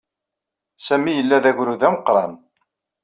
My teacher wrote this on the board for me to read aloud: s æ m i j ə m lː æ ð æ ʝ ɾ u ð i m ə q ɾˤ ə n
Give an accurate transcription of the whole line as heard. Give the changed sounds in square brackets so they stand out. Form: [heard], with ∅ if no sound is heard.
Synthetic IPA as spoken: s æ m i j ə [∅] lː æ ð æ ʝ ɾ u ð [æ] m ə q ɾˤ [ɑ] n